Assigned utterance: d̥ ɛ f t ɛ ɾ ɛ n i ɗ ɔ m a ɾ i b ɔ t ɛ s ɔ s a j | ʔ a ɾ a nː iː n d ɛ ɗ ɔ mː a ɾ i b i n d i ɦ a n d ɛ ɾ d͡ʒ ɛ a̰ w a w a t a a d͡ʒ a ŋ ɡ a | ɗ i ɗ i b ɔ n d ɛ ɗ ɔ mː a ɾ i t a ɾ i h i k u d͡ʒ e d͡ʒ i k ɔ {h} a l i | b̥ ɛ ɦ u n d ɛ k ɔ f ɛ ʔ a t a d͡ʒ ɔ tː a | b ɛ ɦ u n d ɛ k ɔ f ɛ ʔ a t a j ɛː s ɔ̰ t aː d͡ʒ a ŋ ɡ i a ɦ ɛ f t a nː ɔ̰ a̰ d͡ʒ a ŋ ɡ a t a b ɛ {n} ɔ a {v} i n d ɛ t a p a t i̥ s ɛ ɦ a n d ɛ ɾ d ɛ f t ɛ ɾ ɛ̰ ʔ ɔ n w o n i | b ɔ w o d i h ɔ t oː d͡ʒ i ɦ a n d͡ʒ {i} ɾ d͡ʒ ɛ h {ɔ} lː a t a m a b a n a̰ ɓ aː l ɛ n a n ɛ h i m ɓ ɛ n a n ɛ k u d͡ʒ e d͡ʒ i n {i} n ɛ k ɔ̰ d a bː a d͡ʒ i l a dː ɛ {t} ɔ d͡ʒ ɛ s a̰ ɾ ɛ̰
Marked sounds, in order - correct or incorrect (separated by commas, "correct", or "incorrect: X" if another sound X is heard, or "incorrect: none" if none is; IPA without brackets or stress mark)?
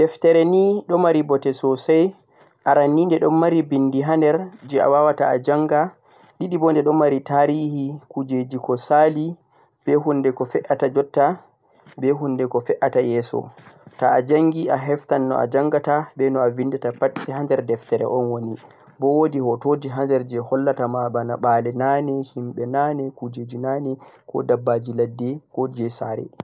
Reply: incorrect: s, correct, correct, incorrect: ɛ, correct, incorrect: a, incorrect: k